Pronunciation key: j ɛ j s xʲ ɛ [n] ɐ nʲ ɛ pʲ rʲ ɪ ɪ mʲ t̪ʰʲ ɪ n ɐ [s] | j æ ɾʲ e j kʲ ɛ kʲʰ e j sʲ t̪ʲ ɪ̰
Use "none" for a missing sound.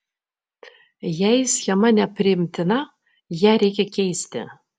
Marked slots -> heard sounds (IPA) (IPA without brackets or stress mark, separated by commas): m, none